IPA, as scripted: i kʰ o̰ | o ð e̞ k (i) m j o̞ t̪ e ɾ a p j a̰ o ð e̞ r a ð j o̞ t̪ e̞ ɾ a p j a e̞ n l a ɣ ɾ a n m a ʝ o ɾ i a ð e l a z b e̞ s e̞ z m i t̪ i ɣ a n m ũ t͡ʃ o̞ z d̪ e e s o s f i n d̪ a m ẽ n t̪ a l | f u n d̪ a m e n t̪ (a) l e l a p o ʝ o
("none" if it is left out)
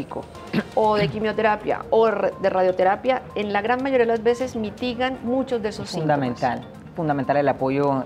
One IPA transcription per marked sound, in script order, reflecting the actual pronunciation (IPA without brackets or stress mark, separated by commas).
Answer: i, a